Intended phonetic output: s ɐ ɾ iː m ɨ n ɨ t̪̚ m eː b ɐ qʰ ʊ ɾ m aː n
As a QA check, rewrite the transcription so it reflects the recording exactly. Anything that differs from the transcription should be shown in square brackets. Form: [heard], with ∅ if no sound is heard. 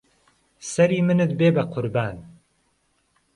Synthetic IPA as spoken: s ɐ ɾ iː m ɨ n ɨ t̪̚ [b] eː b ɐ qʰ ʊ ɾ [b] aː n